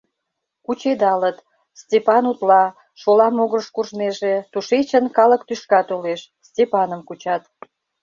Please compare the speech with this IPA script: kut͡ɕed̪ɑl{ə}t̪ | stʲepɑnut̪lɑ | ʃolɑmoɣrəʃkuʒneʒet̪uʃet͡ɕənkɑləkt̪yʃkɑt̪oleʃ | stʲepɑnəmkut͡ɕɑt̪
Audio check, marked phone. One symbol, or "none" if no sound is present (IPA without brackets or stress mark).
ə